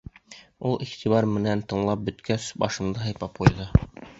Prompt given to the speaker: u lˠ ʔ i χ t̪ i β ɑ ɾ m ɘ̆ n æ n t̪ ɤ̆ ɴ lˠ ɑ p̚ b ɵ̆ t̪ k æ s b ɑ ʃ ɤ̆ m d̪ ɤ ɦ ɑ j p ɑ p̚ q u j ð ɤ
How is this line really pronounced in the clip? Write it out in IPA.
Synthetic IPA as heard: u lˠ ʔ i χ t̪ i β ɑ ɾ m ɘ̆ n æ n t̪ ɤ̆ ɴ lˠ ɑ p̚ b ɵ̆ t̪ k æ s b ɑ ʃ ɤ̆ m d̪ ɤ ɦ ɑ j p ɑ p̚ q u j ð ɤ